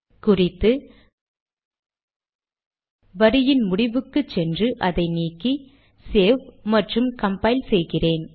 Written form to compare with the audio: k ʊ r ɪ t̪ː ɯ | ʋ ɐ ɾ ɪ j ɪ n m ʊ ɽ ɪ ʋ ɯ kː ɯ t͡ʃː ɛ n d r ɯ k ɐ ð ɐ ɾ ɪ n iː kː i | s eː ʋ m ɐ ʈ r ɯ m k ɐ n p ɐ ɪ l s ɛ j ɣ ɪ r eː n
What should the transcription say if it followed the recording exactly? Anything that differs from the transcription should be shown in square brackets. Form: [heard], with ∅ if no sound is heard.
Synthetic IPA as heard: k ʊ r ɪ t̪ː ɯ | ʋ ɐ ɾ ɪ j ɪ n m ʊ ɽ ɪ ʋ ɯ kː ɯ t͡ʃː ɛ n d r ɯ [ʔ] ɐ ð ɐ [∅] ɪ n iː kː i | s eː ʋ m ɐ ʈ r ɯ m k ɐ [m] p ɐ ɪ l s ɛ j ɣ ɪ r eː n

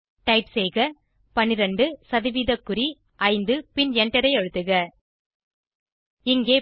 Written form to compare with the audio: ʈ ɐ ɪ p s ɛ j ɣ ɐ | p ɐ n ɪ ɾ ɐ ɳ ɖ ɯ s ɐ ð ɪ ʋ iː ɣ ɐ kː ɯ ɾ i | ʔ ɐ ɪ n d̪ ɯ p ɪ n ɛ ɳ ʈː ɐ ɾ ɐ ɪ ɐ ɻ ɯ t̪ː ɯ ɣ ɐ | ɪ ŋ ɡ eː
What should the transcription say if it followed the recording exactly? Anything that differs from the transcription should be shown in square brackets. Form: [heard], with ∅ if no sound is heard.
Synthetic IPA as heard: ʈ ɐ ɪ p s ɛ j ɣ ɐ | p ɐ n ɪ ɾ ɐ ɳ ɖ ɯ s ɐ ð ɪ ʋ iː [ð] ɐ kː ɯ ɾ i | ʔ ɐ ɪ n d̪ ɯ p ɪ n ɛ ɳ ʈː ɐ ɾ ɐ ɪ ɐ ɻ ɯ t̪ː ɯ ɣ ɐ | ɪ ŋ ɡ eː

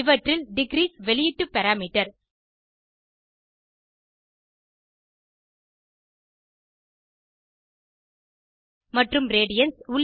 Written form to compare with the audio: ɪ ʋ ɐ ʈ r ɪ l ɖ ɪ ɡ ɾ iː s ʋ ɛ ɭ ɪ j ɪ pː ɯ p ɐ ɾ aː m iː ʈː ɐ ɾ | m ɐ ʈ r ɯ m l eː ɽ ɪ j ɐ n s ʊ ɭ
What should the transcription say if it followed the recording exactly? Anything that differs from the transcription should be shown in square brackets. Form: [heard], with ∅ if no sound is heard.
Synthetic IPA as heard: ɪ ʋ ɐ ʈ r ɪ l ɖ ɪ ɡ ɾ iː s ʋ ɛ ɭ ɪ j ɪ [ʈː] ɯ p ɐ ɾ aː m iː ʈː ɐ ɾ | m ɐ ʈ r ɯ m [ɾ] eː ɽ ɪ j ɐ n s ʊ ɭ

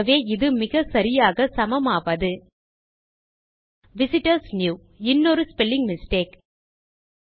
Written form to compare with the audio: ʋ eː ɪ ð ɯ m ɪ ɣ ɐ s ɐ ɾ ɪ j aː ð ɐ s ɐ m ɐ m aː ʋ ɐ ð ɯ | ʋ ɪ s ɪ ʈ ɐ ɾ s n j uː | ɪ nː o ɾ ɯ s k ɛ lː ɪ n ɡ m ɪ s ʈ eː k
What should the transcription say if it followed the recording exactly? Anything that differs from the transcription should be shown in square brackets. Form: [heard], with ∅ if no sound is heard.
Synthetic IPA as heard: ʋ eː ɪ ð ɯ m ɪ ɣ ɐ s ɐ ɾ ɪ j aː [ɣ] ɐ s ɐ m ɐ m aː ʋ ɐ ð ɯ | ʋ ɪ s ɪ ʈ ɐ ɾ s n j uː | ɪ nː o ɾ ɯ s [p] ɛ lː ɪ [ŋ] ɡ m ɪ s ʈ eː k

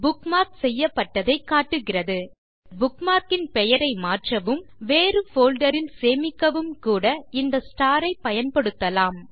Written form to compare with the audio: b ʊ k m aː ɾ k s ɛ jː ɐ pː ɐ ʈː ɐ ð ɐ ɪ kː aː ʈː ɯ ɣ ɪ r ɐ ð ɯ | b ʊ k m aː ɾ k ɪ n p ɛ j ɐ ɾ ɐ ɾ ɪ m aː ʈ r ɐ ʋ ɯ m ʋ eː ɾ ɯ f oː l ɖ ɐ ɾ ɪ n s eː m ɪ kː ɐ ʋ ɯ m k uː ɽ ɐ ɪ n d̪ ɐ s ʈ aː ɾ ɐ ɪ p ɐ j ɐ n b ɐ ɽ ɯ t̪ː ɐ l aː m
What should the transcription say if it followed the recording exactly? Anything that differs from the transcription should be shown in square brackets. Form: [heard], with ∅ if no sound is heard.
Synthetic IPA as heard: b ʊ k m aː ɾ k s ɛ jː ɐ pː ɐ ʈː ɐ ð ɐ ɪ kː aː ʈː ɯ ɣ ɪ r ɐ ð ɯ | b ʊ k m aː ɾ k ɪ n p ɛ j ɐ ɾ ɐ [∅] ɪ m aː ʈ r ɐ ʋ ɯ m ʋ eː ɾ ɯ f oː l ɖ ɐ ɾ ɪ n s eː m ɪ kː ɐ ʋ ɯ m k uː ɽ ɐ ɪ n d̪ ɐ s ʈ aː ɾ ɐ ɪ p ɐ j ɐ n [p] ɐ ɽ ɯ t̪ː ɐ l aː m

